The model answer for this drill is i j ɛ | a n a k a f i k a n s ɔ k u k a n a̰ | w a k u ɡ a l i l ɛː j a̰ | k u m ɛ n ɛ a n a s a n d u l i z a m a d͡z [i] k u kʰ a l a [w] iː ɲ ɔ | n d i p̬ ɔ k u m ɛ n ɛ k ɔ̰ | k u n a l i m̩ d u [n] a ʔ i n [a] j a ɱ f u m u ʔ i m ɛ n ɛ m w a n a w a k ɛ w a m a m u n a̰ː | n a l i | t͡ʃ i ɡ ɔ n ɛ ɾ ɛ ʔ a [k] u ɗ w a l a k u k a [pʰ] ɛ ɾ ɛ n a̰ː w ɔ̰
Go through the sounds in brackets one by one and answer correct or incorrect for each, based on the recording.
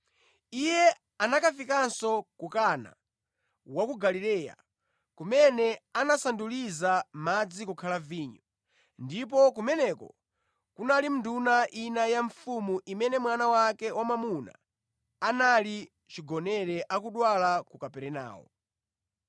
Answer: correct, incorrect: v, correct, correct, correct, incorrect: p

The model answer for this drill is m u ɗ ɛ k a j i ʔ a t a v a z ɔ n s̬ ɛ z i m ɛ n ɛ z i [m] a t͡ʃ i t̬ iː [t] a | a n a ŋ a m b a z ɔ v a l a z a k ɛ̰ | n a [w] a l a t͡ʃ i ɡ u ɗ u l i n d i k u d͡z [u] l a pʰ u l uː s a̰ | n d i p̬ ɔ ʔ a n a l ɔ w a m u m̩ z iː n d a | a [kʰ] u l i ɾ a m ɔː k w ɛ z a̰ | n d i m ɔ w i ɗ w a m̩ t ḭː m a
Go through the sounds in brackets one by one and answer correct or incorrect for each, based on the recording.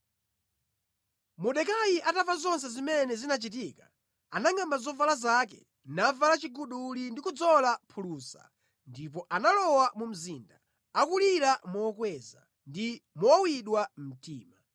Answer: incorrect: n, incorrect: k, incorrect: v, incorrect: ɔ, incorrect: k

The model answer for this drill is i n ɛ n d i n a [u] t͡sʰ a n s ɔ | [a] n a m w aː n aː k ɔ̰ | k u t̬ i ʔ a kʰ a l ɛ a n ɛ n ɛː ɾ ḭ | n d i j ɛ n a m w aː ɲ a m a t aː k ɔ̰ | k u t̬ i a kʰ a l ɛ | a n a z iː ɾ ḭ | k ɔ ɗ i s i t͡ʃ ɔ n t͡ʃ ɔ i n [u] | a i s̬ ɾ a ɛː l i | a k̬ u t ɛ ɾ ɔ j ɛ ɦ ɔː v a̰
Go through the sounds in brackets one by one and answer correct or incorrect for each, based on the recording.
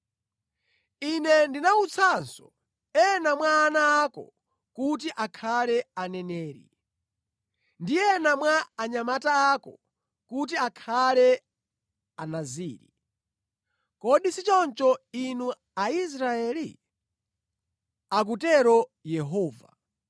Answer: correct, incorrect: ɛ, correct

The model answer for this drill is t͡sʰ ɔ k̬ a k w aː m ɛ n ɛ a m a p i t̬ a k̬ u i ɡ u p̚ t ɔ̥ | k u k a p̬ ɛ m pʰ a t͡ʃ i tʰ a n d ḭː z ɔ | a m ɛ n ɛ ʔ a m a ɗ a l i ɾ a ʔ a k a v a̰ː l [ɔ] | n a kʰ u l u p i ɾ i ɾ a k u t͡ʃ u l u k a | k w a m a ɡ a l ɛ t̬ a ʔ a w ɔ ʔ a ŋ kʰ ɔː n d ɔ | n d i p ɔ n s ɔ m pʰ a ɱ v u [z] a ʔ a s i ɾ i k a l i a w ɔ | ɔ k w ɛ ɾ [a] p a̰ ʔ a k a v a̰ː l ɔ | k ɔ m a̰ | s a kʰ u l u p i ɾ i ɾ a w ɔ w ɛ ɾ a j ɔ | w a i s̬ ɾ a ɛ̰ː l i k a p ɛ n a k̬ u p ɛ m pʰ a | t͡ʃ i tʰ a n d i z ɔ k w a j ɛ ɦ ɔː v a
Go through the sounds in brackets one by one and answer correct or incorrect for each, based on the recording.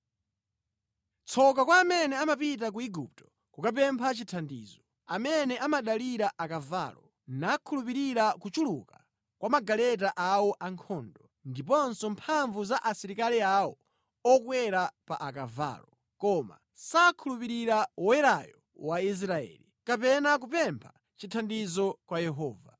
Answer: correct, correct, correct

